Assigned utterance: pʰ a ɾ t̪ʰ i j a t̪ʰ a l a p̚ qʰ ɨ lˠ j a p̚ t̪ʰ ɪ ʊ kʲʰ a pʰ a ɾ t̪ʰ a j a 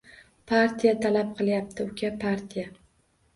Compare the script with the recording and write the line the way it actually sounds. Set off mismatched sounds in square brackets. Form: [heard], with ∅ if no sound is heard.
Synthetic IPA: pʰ a ɾ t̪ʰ i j a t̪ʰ a l a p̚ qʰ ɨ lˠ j a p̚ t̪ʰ ɪ ʊ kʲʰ a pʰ a ɾ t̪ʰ [i] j a